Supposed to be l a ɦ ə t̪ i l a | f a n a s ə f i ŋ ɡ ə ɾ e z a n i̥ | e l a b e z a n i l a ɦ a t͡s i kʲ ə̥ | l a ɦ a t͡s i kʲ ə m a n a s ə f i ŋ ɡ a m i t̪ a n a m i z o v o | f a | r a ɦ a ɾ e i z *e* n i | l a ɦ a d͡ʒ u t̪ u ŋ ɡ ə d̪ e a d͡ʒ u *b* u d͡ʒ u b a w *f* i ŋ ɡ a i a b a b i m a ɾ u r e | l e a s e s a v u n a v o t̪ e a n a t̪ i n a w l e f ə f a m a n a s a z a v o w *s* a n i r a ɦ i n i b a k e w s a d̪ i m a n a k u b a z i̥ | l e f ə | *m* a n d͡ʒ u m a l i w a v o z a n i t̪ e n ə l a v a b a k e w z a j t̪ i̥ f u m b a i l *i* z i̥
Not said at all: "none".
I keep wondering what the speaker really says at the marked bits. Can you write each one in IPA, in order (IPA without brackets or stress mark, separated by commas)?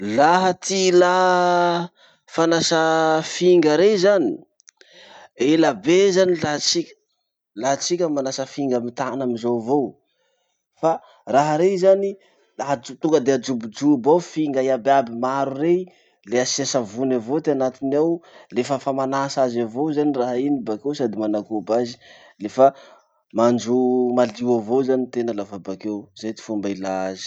a, b, f, z, m, a